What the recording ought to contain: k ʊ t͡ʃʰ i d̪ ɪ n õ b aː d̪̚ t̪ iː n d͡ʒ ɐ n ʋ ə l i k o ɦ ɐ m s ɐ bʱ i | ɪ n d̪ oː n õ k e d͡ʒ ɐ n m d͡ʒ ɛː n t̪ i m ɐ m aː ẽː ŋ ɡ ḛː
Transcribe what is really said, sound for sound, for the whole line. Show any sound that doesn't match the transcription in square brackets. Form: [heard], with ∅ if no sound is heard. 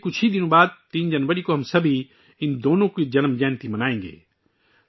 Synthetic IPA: k ʊ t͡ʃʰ i d̪ ɪ n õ b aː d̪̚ t̪ iː n d͡ʒ ɐ n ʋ ə [ɾ] i k o ɦ ɐ m s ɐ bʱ i | ɪ n d̪ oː n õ k [i] d͡ʒ ɐ n m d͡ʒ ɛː n t̪ i m ɐ [n] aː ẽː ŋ ɡ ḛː

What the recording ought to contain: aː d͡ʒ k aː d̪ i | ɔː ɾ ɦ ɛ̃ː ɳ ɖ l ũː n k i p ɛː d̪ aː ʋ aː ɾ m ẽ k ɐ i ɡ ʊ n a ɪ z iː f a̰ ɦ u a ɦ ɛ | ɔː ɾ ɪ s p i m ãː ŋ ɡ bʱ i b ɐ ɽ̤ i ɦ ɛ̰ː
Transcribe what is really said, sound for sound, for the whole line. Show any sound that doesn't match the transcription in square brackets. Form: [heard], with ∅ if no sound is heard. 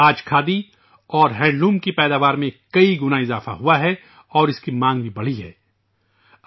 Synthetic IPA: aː d͡ʒ [kʰ] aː d̪ i | ɔː ɾ ɦ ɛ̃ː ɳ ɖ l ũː [m] k i p ɛː d̪ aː ʋ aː ɾ m ẽ k ɐ i ɡ ʊ n a ɪ z [aː] f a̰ ɦ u a ɦ ɛ | ɔː ɾ ɪ s [k] i m ãː ŋ ɡ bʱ i b ɐ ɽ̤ i ɦ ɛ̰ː

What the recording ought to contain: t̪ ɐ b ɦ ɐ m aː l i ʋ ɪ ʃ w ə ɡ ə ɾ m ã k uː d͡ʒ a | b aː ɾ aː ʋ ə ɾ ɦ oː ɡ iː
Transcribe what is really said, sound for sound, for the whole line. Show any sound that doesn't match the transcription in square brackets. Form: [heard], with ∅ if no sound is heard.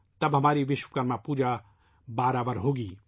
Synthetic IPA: t̪ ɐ b ɦ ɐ m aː [ɾ] i ʋ ɪ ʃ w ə [k] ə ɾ m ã [p] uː d͡ʒ a | b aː ɾ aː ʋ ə ɾ ɦ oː ɡ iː

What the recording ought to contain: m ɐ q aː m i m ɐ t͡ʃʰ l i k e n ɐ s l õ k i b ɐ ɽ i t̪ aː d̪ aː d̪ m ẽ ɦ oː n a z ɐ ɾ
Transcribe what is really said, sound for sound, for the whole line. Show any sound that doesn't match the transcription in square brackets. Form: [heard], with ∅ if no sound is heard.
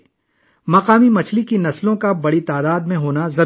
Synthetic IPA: m ɐ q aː m i m ɐ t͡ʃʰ l i k [i] n ɐ s l õ k [a] b ɐ ɽ i t̪ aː d̪ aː d̪ m ẽ ɦ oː n a z ɐ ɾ

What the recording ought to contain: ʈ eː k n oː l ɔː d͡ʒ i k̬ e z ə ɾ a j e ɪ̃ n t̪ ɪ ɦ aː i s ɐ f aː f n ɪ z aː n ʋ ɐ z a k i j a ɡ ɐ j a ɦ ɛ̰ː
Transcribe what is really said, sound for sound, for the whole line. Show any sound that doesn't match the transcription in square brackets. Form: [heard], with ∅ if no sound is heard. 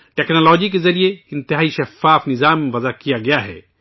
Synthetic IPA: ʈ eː k n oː l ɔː d͡ʒ i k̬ e z [ɐ] ɾ [i] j e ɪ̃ n t̪ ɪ ɦ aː i [ʃ] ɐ f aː f n ɪ z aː [m] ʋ ɐ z a k i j a ɡ ɐ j a ɦ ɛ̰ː

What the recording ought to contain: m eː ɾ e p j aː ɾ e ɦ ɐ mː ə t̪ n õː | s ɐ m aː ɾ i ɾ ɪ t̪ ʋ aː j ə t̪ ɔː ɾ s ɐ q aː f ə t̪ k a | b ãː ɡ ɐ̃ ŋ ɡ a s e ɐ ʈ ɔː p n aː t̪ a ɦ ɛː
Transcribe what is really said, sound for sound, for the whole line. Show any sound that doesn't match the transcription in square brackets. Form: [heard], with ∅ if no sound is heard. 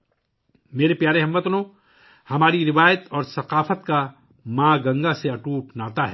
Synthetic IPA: m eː ɾ e p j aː ɾ e ɦ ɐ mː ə t̪ n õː | [h] ɐ m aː ɾ i ɾ ɪ [∅] ʋ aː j ə t̪ ɔː ɾ s ɐ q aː f ə t̪ k a | [m] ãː ɡ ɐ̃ ŋ ɡ a s e ɐ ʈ [uː] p n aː t̪ a ɦ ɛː

